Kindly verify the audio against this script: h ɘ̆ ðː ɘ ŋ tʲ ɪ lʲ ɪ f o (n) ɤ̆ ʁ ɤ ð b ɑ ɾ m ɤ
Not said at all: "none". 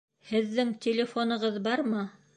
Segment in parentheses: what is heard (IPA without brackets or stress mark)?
n